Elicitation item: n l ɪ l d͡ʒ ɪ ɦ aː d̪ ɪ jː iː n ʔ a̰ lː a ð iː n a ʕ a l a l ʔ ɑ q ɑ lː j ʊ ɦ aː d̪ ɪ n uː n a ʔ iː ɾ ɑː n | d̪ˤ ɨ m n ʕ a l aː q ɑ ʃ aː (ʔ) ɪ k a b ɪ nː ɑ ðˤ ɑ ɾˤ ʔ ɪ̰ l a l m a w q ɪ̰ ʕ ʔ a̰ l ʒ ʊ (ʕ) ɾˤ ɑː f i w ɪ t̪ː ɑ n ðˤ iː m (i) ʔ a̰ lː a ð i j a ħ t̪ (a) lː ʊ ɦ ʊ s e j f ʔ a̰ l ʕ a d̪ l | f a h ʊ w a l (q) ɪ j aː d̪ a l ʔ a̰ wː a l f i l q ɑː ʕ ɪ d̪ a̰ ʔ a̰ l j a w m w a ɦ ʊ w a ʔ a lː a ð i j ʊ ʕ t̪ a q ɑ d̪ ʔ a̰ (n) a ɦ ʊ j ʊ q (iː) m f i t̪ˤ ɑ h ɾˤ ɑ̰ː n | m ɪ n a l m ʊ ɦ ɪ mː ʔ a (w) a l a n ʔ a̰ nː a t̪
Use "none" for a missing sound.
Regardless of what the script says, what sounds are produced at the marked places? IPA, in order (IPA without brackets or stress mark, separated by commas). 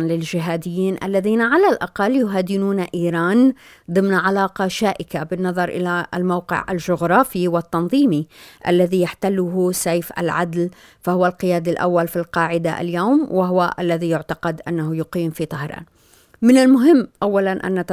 ʔ, ɣ, i, a, q, nː, iː, wː